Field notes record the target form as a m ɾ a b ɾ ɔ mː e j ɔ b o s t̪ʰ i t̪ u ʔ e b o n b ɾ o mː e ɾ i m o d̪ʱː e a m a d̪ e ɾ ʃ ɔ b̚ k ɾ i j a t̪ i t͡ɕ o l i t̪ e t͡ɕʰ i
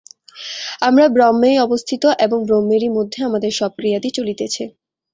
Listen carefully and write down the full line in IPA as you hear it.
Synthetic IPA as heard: a m ɾ a b ɾ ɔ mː e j ɔ b o s t̪ʰ i t̪ o ʔ e b o ŋ b ɾ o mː e ɾ i m o d̪ʱː e a m a d̪ e ɾ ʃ ɔ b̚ k ɾ i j a d̪ i t͡ɕ o l i t̪ e t͡ɕʰ i